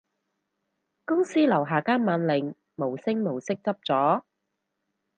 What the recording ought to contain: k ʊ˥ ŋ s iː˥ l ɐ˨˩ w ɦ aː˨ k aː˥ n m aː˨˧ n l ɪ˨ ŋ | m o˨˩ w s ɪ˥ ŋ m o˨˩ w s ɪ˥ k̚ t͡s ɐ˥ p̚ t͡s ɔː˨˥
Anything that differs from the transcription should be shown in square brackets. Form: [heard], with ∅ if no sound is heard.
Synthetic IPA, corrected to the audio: k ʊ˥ ŋ s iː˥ l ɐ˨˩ w ɦ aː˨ k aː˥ n m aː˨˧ n l ɪ˨ ŋ | m o˨˩ w s ɪ˥ ŋ m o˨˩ w s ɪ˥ k̚ t͡s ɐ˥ p̚ t͡s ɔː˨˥